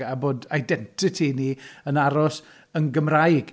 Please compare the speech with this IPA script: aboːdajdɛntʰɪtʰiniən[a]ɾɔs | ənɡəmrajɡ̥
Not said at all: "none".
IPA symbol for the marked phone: a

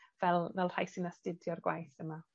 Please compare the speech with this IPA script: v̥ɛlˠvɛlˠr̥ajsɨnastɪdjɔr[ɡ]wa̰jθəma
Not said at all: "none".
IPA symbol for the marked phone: ɡ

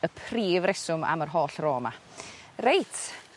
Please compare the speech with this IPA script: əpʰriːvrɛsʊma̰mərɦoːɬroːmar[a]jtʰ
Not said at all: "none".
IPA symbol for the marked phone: e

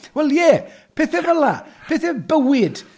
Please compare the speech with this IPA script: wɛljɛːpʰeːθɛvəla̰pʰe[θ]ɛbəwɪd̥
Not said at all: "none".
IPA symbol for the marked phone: θ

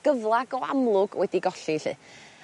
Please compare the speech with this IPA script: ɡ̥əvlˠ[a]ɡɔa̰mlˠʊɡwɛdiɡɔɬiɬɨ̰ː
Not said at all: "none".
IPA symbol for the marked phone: a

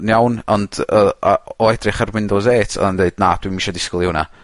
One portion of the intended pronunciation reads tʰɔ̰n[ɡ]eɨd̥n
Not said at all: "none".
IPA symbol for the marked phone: d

